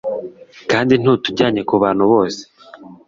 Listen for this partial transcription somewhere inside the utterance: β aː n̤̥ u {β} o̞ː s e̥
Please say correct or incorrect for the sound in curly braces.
correct